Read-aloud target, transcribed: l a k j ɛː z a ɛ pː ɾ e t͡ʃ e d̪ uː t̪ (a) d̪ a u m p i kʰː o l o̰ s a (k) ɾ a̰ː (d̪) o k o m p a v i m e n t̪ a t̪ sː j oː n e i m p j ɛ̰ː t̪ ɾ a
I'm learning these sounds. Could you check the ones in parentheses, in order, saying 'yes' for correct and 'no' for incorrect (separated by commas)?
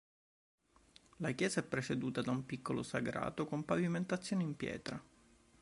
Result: yes, no, no